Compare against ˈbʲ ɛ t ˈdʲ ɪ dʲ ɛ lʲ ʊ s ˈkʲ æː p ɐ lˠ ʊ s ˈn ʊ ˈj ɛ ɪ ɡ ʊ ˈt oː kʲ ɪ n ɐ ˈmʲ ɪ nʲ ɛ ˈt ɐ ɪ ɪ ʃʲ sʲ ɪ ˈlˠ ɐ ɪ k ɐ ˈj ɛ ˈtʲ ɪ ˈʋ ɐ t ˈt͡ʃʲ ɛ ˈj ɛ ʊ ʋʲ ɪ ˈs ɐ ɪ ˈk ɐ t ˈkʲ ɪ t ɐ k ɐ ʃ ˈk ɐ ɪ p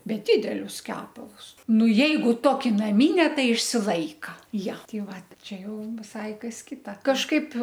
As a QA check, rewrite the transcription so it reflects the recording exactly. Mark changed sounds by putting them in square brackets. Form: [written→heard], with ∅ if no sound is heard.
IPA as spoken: ˈbʲ ɛ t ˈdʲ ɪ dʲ ɛ lʲ ʊ s ˈkʲ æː p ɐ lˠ ʊ s ˈn ʊ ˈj ɛ ɪ ɡ ʊ ˈt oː kʲ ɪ n ɐ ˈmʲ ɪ nʲ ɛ ˈt ɐ ɪ ɪ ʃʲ sʲ ɪ ˈlˠ ɐ ɪ k ɐ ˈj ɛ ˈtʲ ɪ ˈʋ ɐ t ˈt͡ʃʲ ɛ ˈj ɛ ʊ ʋʲ ɪ ˈs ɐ ɪ ˈk ɐ [t→s] ˈkʲ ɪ t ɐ k ɐ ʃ ˈk ɐ ɪ p